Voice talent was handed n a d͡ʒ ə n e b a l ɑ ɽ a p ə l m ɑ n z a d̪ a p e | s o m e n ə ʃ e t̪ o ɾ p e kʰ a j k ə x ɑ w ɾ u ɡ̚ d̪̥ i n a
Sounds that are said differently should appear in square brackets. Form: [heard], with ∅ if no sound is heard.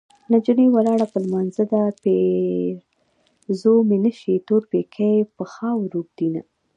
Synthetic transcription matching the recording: n a d͡ʒ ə n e [w] a l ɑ ɽ a p ə l m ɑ n z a d̪ a p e | [z] o m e n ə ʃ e t̪ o ɾ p e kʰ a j [p] ə x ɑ w ɾ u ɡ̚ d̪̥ i n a